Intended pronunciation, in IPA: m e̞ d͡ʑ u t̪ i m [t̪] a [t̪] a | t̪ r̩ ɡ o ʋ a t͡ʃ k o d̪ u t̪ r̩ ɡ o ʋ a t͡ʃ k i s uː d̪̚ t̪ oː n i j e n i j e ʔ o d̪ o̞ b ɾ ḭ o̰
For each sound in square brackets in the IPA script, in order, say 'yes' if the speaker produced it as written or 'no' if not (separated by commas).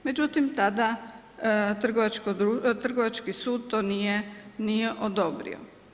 yes, no